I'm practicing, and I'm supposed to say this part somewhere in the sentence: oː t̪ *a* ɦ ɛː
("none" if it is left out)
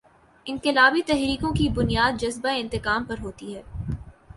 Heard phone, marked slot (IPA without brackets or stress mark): i